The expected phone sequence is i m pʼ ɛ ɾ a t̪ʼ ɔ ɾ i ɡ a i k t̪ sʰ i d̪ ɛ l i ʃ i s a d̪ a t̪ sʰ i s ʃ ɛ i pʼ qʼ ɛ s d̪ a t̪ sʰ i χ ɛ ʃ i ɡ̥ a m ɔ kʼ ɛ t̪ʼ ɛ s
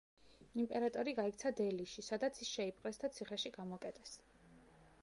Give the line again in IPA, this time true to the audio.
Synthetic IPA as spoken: i m pʼ ɛ ɾ a t̪ʼ ɔ ɾ i ɡ a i k t̪ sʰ a d̪ ɛ l i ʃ i s a d̪ a t̪ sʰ i s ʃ ɛ i pʼ qʼ ɛ s d̪ a t̪ sʰ i χ ɛ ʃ i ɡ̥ a m ɔ kʼ ɛ t̪ʼ ɛ s